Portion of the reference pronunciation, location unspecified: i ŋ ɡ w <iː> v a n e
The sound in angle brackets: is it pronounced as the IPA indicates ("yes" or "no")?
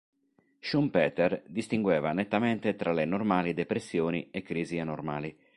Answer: no